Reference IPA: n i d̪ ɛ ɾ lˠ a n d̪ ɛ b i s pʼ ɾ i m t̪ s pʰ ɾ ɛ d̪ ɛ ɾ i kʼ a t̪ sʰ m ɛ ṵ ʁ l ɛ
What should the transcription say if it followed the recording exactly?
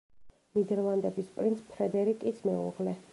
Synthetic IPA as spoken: n i d̪ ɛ ɾ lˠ a n d̪ ɛ b i s pʼ ɾ i n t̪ s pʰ ɾ ɛ d̪ ɛ ɾ i kʼ i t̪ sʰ m ɛ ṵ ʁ l ɛ